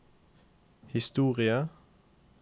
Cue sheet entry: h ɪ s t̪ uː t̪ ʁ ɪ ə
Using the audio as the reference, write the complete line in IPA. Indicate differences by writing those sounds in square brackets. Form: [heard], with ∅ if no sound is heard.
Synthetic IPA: h ɪ s t̪ uː [∅] ʁ ɪ ə